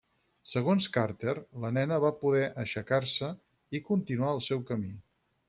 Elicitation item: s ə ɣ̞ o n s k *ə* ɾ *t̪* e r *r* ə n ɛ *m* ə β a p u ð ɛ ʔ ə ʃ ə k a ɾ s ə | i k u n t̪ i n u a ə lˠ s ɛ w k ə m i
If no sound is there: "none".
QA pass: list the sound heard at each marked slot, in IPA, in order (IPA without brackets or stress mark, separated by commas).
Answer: a, t̪, l, n